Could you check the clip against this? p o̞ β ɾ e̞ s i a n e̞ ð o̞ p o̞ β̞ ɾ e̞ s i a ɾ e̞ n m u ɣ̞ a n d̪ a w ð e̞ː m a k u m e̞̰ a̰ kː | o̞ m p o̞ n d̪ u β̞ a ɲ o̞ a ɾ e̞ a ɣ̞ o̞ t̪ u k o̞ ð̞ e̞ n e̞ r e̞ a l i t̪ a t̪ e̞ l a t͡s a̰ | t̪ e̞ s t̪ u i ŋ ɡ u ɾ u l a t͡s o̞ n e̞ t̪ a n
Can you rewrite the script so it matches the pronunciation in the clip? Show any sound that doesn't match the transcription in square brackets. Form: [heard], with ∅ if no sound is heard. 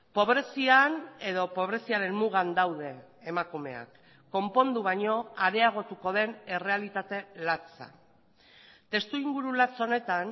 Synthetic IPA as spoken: p o̞ β ɾ e̞ s i a n e̞ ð o̞ p o̞ β̞ ɾ e̞ s i a ɾ e̞ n m u ɣ̞ a n d̪ a w ð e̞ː m a k u m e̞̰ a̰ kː | o̞ m p o̞ n d̪ u β̞ a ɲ o̞ a ɾ e̞ a ɣ̞ o̞ t̪ u k o̞ ð̞ e̞ n e̞ r e̞ a l i t̪ a t̪ e̞ l a t͡s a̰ | t̪ e̞ s t̪ u i ŋ ɡ u ɾ u l a t͡s o̞ n e̞ t̪ a n

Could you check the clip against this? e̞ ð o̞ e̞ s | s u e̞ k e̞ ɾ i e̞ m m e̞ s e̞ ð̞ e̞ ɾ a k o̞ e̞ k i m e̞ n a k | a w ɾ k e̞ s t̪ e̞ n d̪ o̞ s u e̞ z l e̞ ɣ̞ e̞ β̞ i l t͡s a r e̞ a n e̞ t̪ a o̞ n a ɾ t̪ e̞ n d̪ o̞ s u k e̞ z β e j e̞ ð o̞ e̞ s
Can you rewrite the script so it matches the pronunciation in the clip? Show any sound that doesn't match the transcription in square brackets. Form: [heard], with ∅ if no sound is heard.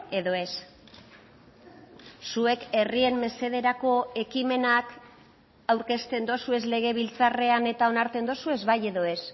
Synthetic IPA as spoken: e̞ ð o̞ e̞ s | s u e̞ k e̞ [r] i e̞ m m e̞ s e̞ ð̞ e̞ ɾ a k o̞ e̞ k i m e̞ n a k | a w ɾ k e̞ s t̪ e̞ n d̪ o̞ s u e̞ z l e̞ ɣ̞ e̞ β̞ i l t͡s a r e̞ a n e̞ t̪ a o̞ n a ɾ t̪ e̞ n d̪ o̞ s u [∅] e̞ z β [a] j e̞ ð o̞ e̞ s

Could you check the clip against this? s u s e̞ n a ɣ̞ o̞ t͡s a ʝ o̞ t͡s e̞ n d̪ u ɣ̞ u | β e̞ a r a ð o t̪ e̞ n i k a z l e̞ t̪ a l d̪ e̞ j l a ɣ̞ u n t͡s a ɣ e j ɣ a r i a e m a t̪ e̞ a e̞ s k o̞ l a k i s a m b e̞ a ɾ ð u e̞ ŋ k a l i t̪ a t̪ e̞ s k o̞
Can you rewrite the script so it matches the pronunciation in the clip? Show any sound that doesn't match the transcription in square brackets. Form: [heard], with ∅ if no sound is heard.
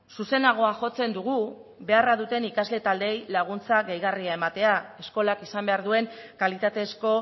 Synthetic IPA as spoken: s u s e̞ n a ɣ̞ o̞ [∅] a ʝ o̞ t͡s e̞ n d̪ u ɣ̞ u | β e̞ a r a ð [u] t̪ e̞ n i k a z l e̞ t̪ a l d̪ e̞ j l a ɣ̞ u n t͡s a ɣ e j ɣ a r i a e m a t̪ e̞ a e̞ s k o̞ l a k i s a m b e̞ a ɾ ð u e̞ ŋ k a l i t̪ a t̪ e̞ s k o̞

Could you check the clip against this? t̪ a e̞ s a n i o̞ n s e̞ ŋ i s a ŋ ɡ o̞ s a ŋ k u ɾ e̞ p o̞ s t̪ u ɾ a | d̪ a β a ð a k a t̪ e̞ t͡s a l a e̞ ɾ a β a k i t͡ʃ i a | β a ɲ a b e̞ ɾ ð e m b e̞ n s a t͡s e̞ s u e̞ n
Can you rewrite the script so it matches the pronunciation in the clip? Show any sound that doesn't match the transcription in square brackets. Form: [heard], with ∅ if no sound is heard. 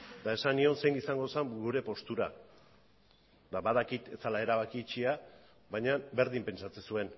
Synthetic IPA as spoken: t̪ a e̞ s a n i o̞ n s e̞ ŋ i s a ŋ ɡ o̞ s a ŋ [ɡ] u ɾ e̞ p o̞ s t̪ u ɾ a | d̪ a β a ð a k [i] t̪ e̞ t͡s a l a e̞ ɾ a β a k i t͡ʃ i a | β a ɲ a b e̞ ɾ ð [i] m [p] e̞ n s a t͡s e̞ s u e̞ n

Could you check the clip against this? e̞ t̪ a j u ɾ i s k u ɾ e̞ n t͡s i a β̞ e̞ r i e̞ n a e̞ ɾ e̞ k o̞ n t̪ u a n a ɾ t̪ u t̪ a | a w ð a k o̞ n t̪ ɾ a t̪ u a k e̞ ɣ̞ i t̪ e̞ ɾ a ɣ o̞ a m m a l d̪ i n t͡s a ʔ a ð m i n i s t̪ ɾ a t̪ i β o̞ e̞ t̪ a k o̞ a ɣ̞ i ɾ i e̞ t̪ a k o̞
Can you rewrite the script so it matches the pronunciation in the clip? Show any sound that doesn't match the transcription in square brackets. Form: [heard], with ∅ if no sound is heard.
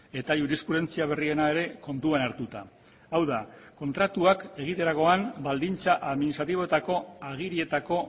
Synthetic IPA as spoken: e̞ t̪ a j u ɾ i s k u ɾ e̞ n t͡s i a β̞ e̞ r i e̞ n a e̞ ɾ e̞ k o̞ n t̪ u a n a ɾ t̪ u t̪ a | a w ð a k o̞ n t̪ ɾ a t̪ u a k e̞ ɣ̞ i t̪ e̞ ɾ a ɣ o̞ a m [b] a l d̪ i n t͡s a ʔ a ð m i n i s t̪ ɾ a t̪ i β o̞ e̞ t̪ a k o̞ a ɣ̞ i ɾ i e̞ t̪ a k o̞

